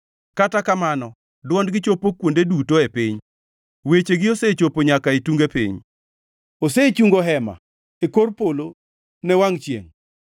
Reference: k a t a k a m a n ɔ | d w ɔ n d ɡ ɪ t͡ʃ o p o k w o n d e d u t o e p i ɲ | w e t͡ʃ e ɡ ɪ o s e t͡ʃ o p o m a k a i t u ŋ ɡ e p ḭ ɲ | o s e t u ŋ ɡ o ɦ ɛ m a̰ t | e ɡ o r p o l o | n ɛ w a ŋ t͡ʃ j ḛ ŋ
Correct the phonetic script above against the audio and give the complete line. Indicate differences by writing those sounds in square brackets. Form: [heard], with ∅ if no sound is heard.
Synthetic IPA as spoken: k a t a k a m a n ɔ | d w ɔ n d ɡ ɪ t͡ʃ o p o k w o n d e d u t o e p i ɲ | w e t͡ʃ e ɡ ɪ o s e t͡ʃ o p o [ɲ] a k a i t u ŋ ɡ e p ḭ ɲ | o s e [t͡ʃ] u ŋ ɡ o ɦ ɛ m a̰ [∅] | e [k] o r p o l o | n ɛ w a ŋ t͡ʃ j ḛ ŋ